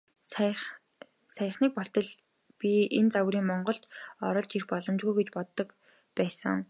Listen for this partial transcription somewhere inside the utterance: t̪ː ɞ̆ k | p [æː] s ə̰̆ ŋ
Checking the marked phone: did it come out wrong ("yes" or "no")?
no